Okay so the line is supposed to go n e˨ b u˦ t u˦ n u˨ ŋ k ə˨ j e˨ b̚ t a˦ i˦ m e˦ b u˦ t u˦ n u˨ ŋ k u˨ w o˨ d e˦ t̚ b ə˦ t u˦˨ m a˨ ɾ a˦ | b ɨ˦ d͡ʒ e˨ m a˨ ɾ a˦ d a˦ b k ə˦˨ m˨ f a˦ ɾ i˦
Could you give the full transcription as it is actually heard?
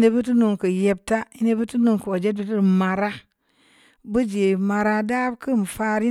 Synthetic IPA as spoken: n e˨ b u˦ t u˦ n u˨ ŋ k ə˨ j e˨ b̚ t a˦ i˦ n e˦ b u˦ t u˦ n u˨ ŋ k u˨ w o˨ d͡ʒ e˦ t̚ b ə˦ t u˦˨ m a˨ ɾ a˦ | b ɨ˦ d͡ʒ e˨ m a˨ ɾ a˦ d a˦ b k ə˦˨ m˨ f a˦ ɾ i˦